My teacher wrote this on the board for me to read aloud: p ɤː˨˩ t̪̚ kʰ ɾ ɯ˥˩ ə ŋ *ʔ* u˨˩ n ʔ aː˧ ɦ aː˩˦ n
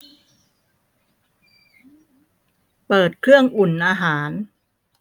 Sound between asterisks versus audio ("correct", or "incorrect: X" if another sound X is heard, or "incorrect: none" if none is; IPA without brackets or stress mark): correct